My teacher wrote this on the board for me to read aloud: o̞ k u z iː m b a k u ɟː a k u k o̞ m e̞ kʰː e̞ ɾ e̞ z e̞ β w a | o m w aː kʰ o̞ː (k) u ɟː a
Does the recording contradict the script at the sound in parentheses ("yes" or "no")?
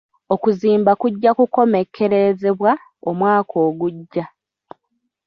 yes